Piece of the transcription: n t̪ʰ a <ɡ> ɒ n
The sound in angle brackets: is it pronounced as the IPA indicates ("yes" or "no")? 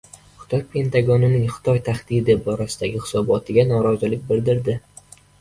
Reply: yes